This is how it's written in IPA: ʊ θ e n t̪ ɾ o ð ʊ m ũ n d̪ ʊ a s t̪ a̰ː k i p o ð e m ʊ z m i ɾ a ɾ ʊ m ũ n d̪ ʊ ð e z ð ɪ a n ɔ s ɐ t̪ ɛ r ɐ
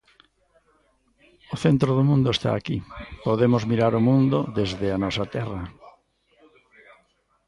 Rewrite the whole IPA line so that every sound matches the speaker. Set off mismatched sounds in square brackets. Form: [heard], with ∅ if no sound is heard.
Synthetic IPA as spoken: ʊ θ e n t̪ ɾ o ð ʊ m ũ n d̪ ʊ [e] s t̪ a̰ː k i p o ð e m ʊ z m i ɾ a ɾ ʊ m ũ n d̪ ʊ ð e z ð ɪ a n ɔ s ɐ t̪ ɛ r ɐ